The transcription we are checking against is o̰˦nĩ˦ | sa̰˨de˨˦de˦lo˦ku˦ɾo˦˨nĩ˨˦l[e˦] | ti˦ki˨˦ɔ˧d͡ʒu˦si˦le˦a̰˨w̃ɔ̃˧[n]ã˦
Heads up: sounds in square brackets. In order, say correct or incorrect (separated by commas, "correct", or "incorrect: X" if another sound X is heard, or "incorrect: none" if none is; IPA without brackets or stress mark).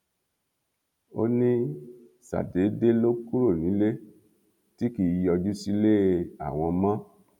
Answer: correct, incorrect: m